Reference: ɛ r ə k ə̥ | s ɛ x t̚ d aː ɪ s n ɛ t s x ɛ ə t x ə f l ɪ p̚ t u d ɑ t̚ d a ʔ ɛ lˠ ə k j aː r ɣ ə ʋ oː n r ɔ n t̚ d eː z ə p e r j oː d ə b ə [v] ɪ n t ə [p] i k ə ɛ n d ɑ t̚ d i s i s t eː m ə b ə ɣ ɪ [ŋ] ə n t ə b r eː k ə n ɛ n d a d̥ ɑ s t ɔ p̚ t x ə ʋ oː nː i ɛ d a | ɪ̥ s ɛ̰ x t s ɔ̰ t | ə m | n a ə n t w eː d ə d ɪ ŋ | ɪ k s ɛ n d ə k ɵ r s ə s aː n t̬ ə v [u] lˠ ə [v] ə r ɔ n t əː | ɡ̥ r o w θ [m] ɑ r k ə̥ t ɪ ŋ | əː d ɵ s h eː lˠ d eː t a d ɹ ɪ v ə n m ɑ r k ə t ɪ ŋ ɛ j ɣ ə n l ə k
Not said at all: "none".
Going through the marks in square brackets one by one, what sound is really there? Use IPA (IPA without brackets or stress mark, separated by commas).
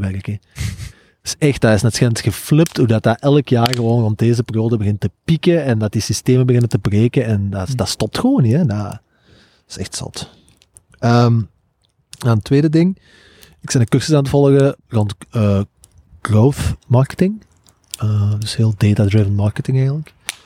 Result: ɣ, p, n, ɔ, ɣ, m